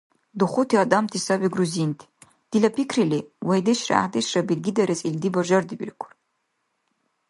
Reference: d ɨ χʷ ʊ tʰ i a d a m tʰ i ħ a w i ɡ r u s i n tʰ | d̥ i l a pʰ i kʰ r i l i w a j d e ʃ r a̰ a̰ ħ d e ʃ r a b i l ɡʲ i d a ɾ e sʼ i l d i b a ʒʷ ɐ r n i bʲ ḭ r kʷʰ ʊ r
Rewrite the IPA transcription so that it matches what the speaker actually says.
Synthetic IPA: d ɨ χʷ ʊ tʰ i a d a m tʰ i s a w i ɡ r u z i n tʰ | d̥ i l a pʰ i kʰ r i l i w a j d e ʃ r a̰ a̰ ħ d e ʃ r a b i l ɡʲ i d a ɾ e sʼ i l d i b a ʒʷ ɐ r d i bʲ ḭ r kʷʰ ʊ r